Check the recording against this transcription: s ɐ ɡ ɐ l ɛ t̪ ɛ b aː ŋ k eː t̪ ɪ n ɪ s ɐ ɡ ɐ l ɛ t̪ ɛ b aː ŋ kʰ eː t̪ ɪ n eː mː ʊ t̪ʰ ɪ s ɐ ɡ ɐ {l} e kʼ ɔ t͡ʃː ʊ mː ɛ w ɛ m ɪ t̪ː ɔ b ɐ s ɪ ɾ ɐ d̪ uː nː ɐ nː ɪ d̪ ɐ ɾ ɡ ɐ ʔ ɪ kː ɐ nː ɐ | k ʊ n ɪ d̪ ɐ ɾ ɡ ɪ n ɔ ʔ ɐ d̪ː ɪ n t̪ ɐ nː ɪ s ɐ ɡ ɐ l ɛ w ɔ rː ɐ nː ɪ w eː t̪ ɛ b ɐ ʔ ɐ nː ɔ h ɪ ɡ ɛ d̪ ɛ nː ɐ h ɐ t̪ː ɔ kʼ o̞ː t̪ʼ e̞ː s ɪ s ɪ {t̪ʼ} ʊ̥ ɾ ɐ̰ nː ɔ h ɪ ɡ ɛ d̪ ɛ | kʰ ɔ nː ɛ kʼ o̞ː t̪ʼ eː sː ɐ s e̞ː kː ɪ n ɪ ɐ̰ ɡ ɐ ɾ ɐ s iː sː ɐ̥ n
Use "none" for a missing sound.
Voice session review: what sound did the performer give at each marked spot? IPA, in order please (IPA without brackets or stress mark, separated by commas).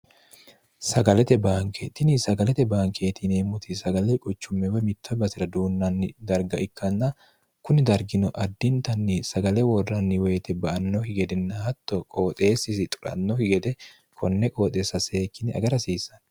l, t̪ʼ